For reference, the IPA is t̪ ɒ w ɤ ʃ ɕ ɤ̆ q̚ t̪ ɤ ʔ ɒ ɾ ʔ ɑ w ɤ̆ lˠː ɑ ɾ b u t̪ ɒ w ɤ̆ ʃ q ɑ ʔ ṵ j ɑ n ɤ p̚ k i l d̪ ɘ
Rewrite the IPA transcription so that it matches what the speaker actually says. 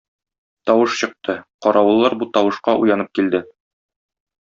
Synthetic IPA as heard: t̪ ɒ w ɤ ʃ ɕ ɤ̆ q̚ t̪ ɤ q ɒ ɾ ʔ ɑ w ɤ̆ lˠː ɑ ɾ b u t̪ ɒ w ɤ̆ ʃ q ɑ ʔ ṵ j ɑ n ɤ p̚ k i l d̪ ɘ